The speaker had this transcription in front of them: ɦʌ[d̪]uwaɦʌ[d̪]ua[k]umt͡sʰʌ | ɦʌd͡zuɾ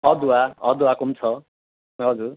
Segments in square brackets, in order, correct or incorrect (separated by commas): correct, correct, correct